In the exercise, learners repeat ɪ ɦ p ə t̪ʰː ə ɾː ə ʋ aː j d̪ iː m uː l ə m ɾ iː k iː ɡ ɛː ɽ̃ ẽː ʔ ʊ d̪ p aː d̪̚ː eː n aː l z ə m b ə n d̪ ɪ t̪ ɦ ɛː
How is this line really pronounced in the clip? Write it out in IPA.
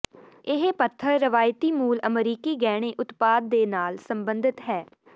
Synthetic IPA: ɪ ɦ p ə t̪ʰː ə ɾː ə ʋ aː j t̪ iː m uː l ə m ɾ iː k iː ɡ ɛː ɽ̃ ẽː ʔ ʊ t̪ p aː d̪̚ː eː n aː l s ə m b ə n d̪ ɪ t̪ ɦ ɛː